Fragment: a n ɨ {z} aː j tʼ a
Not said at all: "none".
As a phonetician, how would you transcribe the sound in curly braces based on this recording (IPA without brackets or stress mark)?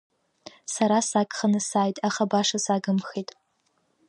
s